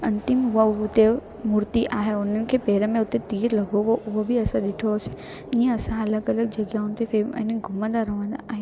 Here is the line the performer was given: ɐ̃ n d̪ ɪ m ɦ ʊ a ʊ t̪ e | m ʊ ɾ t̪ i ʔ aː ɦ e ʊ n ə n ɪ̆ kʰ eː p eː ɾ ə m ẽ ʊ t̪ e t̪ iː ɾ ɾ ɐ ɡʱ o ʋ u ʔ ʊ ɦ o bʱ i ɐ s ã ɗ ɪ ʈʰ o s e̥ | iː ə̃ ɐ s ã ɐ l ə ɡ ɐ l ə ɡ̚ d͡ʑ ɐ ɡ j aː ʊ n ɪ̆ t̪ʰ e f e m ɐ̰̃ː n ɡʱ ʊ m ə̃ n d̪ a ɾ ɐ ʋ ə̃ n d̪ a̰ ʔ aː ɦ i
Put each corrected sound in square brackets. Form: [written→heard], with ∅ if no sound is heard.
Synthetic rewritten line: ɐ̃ n [d̪→t̪] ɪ m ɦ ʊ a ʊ t̪ e | m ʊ ɾ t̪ i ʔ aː ɦ e ʊ n ə n ɪ̆ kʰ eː p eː ɾ ə m ẽ ʊ t̪ e t̪ iː ɾ [ɾ→l] ɐ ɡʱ o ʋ [u→o] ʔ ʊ ɦ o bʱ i ɐ s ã ɗ ɪ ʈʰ o s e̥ | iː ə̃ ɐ s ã ɐ l ə ɡ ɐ l ə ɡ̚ d͡ʑ ɐ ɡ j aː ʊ n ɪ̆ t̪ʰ e f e m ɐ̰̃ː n ɡʱ ʊ m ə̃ n d̪ a ɾ ɐ ʋ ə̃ n d̪ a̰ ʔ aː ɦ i